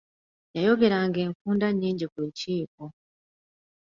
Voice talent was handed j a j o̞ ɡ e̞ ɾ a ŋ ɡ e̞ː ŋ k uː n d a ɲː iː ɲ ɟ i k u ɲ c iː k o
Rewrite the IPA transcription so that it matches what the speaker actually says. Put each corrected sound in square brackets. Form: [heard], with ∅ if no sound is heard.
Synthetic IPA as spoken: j a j o̞ ɡ e̞ ɾ a ŋ ɡ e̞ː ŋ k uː n d a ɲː iː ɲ ɟ i k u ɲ c iː k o